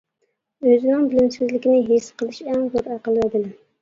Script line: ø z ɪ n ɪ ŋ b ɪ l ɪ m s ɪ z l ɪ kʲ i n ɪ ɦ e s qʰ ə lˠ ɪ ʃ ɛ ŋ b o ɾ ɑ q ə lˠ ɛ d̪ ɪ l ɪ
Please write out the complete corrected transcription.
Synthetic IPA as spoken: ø z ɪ n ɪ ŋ b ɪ l ɪ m s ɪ z l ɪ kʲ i n ɪ ɦ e s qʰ ə lˠ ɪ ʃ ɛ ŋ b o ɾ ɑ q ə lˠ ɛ d̪ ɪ l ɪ